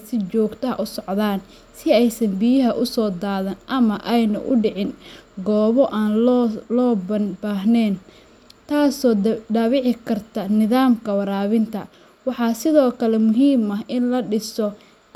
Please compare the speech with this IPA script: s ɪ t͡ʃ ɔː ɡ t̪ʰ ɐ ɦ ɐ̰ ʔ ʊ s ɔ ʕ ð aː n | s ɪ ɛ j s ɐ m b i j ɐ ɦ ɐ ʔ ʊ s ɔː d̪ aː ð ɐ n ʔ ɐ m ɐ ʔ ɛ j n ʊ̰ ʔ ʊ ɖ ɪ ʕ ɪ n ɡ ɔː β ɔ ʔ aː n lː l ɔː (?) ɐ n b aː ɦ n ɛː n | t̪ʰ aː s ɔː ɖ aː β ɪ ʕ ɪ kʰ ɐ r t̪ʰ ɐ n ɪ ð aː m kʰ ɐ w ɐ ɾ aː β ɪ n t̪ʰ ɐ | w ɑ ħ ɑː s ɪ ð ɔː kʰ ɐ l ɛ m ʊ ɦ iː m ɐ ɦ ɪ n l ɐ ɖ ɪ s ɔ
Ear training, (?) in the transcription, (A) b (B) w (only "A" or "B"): A